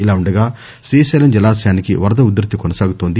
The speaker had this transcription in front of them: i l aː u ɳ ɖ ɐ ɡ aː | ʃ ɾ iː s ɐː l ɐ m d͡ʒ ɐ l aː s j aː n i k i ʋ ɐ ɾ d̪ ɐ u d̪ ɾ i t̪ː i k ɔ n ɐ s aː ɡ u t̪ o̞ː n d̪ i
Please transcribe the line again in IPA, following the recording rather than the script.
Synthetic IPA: i l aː u ɳ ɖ ɐ ɡ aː | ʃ ɾ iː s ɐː l ɐ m d͡ʒ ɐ l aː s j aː n i k i ʋ ɐ ɾ d̪ ɐ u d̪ ɾ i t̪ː i k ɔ n ɐ s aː ɡ u t̪ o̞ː n d̪ i